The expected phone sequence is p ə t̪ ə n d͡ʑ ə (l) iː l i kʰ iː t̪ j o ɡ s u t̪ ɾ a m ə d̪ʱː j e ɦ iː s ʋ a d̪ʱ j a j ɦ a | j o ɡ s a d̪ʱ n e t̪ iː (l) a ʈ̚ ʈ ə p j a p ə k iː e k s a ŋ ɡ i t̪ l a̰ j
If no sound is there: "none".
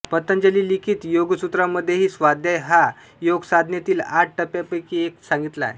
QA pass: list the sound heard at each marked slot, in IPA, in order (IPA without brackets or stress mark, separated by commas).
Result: l, l